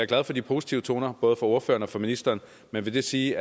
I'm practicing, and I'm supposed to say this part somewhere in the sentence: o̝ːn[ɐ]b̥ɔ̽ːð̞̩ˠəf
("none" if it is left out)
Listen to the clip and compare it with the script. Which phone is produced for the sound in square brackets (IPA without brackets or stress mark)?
ɐ